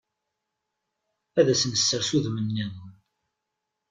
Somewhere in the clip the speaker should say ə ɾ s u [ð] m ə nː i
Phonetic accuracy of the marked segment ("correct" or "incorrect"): correct